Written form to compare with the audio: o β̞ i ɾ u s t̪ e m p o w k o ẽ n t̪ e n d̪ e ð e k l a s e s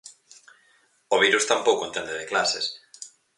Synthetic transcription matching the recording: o β̞ i ɾ u s t̪ a m p o w k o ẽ n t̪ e n d̪ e ð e k l a s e s